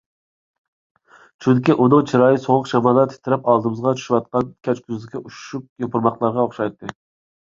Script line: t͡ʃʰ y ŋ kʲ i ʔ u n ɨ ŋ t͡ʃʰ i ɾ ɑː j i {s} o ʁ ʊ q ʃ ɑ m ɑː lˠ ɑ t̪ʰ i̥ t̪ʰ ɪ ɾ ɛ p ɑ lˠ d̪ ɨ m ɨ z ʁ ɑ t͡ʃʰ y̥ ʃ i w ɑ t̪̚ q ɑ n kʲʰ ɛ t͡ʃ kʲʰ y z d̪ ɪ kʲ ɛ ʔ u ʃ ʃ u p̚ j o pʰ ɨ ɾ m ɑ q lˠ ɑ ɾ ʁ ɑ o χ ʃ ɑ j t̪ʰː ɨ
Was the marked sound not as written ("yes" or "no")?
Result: no